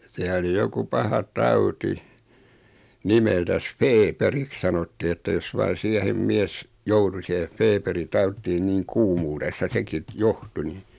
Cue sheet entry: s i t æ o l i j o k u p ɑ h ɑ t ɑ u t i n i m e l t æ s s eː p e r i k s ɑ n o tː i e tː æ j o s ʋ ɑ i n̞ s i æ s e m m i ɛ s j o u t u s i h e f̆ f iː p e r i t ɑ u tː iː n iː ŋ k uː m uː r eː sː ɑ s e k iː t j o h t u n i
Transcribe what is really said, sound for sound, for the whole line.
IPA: s i æ o l i j o k u p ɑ h ɑ t ɑ u t i n i m e l t æ s f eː p e r i k s ɑ n o tː i e tː æ j o s ʋ ɑ i n̞ s i æ h e m m i ɛ s j o u t u s i h e f̆ f eː p e r i t ɑ u tː iː n iː ŋ k uː m uː r e sː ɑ s e k i t j o h t u n i